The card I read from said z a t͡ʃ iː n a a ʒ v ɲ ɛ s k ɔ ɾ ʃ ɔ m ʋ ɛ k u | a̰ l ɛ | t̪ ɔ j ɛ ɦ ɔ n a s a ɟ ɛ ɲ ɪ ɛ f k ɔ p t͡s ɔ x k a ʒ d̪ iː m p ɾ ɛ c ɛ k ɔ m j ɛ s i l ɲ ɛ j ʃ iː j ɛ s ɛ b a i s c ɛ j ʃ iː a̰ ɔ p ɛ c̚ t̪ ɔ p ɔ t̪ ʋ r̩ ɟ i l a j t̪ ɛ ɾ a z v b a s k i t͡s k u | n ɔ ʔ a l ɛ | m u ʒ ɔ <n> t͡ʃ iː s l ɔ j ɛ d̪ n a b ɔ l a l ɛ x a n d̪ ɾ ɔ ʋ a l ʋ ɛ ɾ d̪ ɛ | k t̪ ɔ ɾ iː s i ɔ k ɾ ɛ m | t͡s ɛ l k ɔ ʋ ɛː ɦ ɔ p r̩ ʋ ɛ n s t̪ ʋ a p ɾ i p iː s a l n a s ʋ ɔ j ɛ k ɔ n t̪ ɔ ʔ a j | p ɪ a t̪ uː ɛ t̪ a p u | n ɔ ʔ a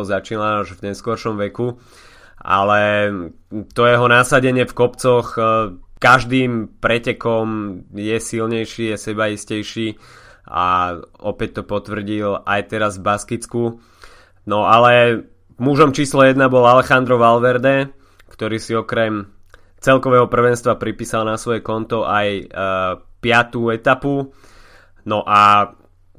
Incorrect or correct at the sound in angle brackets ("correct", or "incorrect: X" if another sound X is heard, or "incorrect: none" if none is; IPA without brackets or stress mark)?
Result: incorrect: m